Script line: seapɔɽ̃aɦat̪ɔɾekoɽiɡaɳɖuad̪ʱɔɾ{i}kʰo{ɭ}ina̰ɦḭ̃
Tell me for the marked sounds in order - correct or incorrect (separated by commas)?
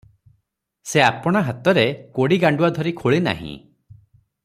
correct, correct